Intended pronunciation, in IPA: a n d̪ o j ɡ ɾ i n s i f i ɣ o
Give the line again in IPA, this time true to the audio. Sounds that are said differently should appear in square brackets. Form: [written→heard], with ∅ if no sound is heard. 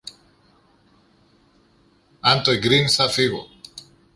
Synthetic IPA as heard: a n [d̪→t̪] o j ɡ ɾ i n s [i→a] f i ɣ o

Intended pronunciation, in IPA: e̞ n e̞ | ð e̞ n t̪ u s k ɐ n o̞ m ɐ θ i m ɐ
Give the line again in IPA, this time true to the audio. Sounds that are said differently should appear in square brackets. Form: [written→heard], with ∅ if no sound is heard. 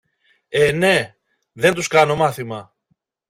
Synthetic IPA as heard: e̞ n e̞ | ð e̞ n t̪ u s k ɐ n o̞ m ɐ θ i m ɐ

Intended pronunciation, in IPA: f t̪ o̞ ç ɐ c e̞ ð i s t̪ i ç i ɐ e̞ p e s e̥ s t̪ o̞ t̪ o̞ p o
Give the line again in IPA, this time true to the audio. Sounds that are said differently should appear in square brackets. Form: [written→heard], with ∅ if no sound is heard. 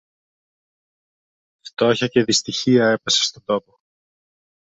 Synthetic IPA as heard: f t̪ o̞ ç ɐ c e̞ ð i s t̪ i ç i ɐ e̞ p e s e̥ s t̪ o̞ [t̪→d̪] o̞ p o

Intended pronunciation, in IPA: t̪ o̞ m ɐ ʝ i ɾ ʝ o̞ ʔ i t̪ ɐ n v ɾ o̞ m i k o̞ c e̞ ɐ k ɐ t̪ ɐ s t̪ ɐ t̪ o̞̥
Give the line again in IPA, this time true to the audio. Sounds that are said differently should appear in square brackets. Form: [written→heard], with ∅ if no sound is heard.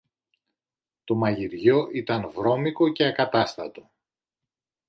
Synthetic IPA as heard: t̪ o̞ m ɐ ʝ i ɾ ʝ o̞ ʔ i t̪ ɐ n v ɾ o̞ m i k o̞ c e̞ ɐ k ɐ t̪ ɐ s t̪ ɐ t̪ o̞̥

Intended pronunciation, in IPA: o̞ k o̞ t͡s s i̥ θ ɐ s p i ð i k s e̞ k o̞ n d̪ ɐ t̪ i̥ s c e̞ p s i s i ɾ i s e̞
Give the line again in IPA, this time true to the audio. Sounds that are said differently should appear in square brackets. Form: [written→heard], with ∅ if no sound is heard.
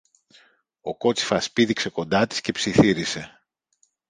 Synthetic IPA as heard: o̞ k o̞ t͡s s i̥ [θ→f] ɐ s p i ð i k s e̞ k o̞ n d̪ ɐ t̪ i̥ s c e̞ p s i [s→θ] i ɾ i s e̞

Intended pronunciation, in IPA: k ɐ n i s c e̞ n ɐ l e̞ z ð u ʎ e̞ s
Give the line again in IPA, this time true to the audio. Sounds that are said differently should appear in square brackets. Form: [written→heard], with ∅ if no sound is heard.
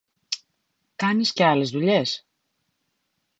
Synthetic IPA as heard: k ɐ n i s c e̞ [n→∅] ɐ l e̞ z ð u ʎ e̞ s

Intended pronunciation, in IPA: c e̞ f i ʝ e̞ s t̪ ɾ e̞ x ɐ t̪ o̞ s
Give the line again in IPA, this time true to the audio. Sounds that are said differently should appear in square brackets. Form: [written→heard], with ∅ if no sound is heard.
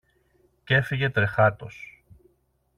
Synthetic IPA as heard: c e̞ f i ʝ e̞ [s→∅] t̪ ɾ e̞ x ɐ t̪ o̞ s

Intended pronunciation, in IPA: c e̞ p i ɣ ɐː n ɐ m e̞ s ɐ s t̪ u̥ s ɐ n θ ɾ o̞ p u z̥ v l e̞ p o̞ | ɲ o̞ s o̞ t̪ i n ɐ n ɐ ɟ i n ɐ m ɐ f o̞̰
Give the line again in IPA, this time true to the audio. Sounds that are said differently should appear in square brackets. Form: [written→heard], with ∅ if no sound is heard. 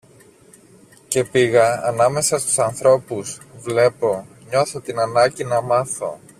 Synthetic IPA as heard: c e̞ p i ɣ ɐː n ɐ m e̞ s ɐ s t̪ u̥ s ɐ n θ ɾ o̞ p u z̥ v l e̞ p o̞ | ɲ o̞ [s→θ] o̞ t̪ i n ɐ n ɐ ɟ i n ɐ m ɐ [f→θ] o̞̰

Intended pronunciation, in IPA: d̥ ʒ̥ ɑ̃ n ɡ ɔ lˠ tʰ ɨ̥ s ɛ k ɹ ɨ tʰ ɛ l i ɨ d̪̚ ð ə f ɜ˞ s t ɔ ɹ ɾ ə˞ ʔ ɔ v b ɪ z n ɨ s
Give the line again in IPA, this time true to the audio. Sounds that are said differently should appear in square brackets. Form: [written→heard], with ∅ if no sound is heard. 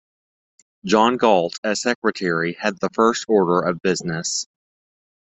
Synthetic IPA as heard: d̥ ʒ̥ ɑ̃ n ɡ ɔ lˠ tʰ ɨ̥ s ɛ k ɹ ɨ tʰ ɛ [l→ɹ] i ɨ d̪̚ ð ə f ɜ˞ s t ɔ ɹ ɾ ə˞ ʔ [ɔ→ʌ] v b ɪ z n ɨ s

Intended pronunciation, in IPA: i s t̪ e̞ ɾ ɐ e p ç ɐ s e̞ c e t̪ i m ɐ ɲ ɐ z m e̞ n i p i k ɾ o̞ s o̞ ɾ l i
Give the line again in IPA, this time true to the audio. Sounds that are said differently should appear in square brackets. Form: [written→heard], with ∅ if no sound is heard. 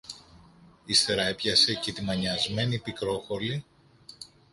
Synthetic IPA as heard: i s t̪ e̞ ɾ ɐ e p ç ɐ s e̞ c e t̪ i m ɐ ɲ ɐ z m e̞ n i p i k ɾ o̞ [s→x] o̞ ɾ l i

